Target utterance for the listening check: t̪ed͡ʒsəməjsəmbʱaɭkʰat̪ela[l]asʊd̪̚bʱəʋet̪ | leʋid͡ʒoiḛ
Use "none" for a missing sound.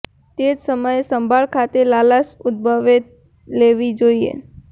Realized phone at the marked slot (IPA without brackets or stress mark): l